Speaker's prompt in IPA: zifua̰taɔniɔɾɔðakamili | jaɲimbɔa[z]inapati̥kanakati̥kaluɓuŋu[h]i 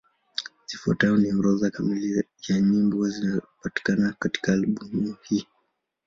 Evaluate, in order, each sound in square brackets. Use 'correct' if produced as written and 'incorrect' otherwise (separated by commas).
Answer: correct, correct